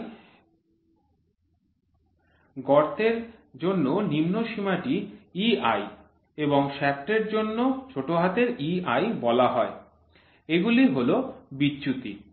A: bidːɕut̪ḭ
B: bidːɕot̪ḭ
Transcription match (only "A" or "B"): A